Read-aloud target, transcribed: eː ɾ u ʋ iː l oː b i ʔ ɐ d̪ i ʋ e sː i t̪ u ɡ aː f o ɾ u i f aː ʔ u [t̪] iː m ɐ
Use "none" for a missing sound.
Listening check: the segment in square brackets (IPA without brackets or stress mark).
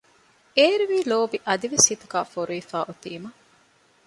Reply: t̪